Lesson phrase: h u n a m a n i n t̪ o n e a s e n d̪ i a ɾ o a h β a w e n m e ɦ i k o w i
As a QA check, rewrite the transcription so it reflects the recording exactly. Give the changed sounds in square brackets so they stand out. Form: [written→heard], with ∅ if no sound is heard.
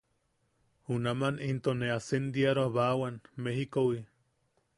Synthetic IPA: h u n a m a n i n t̪ o n e a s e n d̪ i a ɾ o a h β a w [e→a] n m e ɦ i k o w i